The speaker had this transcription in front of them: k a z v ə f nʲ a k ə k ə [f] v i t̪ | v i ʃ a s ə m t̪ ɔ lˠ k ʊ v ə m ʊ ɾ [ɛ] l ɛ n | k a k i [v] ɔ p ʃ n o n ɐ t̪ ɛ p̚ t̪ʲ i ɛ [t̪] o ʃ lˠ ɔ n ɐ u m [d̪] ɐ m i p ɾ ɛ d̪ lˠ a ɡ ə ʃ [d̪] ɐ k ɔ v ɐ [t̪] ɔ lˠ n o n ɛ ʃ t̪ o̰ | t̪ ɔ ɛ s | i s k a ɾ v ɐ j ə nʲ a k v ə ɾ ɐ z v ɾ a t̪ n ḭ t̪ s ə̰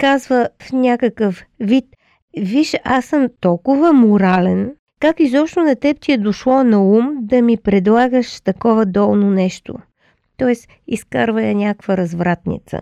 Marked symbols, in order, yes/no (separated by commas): yes, no, no, no, yes, no, no